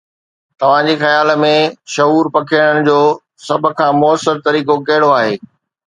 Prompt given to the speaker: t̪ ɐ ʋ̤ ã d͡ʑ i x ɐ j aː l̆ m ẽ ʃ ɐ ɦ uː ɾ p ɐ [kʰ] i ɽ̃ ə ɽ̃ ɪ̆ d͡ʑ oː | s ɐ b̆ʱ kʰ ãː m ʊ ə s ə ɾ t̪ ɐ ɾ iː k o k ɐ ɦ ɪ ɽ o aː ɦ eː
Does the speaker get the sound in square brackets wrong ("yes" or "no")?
no